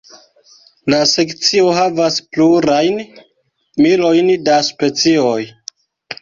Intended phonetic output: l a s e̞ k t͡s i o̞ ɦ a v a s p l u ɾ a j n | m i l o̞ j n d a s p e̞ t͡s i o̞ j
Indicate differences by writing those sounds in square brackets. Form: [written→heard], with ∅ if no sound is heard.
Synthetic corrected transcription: l a s e̞ k t͡s i o̞ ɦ a v a s p l u ɾ a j n | m i l o̞ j n d a s p e̞ t͡s i o̞ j